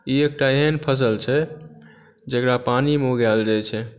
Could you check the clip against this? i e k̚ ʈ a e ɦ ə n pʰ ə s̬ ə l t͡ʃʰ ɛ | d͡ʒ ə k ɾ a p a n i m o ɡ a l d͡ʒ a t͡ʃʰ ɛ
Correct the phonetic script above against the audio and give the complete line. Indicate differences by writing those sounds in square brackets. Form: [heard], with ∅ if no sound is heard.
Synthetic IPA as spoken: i e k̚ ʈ a e ɦ ə n pʰ ə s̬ ə l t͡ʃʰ ɛ | d͡ʒ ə k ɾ a p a n i m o ɡ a l d͡ʒ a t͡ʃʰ ɛ